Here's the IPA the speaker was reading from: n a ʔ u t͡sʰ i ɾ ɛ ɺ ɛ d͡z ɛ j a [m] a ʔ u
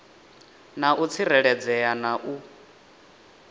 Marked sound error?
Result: yes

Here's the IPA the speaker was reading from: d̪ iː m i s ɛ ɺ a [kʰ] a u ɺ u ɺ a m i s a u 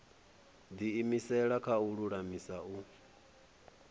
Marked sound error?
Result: no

